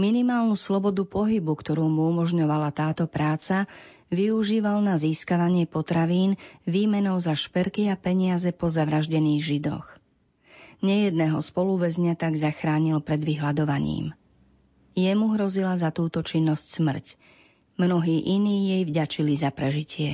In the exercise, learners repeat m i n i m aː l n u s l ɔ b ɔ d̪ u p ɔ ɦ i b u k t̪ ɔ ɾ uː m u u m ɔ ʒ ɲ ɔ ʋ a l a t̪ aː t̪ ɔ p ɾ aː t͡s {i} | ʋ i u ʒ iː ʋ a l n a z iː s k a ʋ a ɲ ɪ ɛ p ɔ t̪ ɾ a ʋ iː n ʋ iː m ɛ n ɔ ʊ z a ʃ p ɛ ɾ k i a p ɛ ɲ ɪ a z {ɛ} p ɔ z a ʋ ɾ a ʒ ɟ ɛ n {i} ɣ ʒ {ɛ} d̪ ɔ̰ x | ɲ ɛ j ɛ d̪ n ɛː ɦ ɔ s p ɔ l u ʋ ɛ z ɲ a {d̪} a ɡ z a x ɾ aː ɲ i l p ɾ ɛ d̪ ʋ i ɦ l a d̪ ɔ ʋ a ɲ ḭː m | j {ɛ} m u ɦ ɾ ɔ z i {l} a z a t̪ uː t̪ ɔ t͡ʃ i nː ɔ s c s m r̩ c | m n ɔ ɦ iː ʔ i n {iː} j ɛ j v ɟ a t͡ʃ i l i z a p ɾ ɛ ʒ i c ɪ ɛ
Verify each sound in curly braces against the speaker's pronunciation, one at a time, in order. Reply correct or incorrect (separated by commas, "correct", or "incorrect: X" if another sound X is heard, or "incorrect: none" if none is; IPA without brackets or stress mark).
incorrect: a, correct, incorrect: iː, incorrect: i, incorrect: t̪, correct, correct, correct